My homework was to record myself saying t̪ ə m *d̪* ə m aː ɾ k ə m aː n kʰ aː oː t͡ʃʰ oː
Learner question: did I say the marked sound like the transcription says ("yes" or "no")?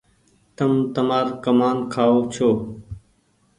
no